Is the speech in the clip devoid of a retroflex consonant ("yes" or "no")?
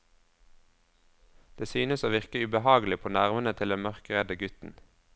yes